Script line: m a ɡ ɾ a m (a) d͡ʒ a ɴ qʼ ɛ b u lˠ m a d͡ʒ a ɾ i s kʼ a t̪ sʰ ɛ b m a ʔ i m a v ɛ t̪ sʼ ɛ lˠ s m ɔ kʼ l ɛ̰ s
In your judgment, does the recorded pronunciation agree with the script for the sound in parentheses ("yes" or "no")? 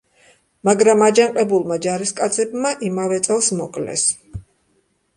yes